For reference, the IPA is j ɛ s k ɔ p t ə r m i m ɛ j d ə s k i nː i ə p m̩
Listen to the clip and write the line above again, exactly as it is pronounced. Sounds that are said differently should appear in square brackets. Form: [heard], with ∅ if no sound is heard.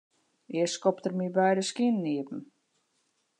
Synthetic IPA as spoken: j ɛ s k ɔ p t ə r m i [b] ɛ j d ə s k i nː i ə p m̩

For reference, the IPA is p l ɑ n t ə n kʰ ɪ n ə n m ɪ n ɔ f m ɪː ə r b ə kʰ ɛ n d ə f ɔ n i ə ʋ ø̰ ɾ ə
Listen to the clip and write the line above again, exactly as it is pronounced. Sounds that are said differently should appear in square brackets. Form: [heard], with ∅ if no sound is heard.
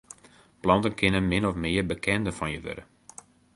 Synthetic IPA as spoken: p l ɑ n t ə n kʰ ɪ n ə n m ɪ n ɔ f m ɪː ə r b ə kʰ ɛ n d ə f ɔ n [j] ə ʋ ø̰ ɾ ə

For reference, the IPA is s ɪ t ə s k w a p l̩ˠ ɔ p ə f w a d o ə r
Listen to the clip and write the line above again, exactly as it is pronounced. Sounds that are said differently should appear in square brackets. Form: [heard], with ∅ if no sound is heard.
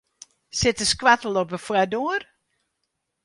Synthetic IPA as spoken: s ɪ t ə s k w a [t] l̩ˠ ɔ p ə f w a d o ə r

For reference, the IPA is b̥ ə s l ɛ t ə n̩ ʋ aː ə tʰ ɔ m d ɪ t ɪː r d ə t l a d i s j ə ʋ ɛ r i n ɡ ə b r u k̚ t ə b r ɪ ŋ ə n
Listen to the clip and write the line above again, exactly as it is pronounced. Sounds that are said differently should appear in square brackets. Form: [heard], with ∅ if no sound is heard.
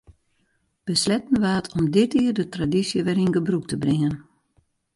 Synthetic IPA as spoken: b̥ ə s l ɛ t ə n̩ ʋ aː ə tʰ ɔ m d ɪ t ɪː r d ə t [r] a d i s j ə ʋ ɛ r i n ɡ ə b r u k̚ t ə b r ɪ ŋ ə n

